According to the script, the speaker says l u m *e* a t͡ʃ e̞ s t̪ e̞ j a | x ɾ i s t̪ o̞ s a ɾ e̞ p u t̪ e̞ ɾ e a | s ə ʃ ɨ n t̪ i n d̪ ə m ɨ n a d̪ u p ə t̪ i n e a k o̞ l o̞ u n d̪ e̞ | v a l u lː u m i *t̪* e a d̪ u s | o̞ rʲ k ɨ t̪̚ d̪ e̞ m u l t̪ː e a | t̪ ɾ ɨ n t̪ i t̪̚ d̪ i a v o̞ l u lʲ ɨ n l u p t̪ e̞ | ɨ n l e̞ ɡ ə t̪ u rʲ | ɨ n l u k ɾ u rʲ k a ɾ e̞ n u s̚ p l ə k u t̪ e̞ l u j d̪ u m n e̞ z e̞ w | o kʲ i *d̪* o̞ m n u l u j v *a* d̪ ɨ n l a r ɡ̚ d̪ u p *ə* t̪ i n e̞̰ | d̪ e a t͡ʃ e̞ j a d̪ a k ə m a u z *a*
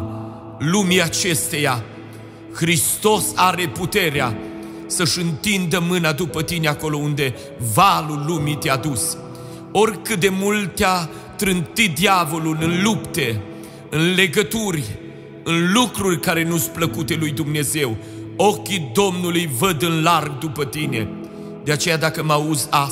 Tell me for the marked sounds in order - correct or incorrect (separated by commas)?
incorrect, correct, correct, incorrect, correct, correct